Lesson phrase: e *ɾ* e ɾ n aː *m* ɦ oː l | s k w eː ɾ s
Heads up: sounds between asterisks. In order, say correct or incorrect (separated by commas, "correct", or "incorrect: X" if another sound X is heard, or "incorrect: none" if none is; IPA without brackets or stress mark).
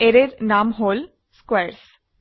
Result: correct, correct